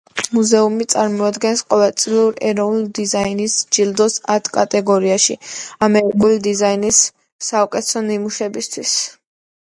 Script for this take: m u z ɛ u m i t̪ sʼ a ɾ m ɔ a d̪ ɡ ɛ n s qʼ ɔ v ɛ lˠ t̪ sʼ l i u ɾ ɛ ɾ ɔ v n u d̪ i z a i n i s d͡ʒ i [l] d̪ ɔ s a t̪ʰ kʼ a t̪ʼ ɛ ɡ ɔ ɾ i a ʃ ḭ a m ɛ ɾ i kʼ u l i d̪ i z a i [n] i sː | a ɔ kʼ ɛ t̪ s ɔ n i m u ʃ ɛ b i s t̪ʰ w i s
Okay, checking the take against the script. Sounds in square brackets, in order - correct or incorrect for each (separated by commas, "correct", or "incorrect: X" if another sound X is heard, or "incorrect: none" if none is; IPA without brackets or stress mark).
correct, correct